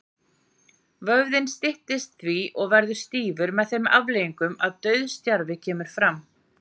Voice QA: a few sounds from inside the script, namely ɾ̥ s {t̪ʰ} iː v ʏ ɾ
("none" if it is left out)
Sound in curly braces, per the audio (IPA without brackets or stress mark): t̪